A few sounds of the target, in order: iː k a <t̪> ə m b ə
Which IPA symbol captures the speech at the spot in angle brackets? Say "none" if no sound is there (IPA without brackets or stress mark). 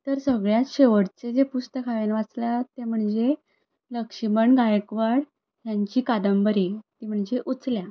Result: d̪